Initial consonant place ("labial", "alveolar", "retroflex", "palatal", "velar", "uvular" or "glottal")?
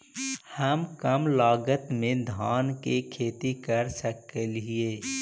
glottal